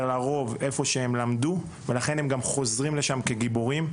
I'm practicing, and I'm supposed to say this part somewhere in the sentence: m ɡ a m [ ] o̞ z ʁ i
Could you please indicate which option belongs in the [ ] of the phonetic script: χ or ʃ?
χ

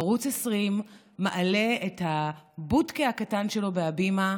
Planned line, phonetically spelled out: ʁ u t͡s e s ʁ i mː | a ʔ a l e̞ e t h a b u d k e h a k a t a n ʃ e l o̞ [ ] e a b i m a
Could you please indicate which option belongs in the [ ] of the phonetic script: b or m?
b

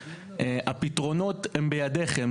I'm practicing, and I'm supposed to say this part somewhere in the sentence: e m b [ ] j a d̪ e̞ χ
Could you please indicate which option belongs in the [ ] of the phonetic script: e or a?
e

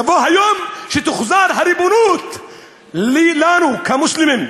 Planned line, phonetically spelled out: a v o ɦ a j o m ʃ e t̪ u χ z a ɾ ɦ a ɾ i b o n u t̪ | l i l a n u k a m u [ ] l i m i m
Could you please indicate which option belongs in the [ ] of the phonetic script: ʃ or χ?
ʃ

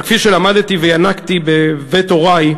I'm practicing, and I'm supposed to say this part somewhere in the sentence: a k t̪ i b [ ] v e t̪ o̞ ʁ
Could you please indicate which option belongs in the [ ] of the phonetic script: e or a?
e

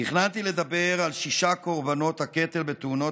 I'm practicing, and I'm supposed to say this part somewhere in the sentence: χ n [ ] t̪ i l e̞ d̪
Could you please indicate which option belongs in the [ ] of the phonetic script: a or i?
a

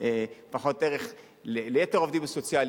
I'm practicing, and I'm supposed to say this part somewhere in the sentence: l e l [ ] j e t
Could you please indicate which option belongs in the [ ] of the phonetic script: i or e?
e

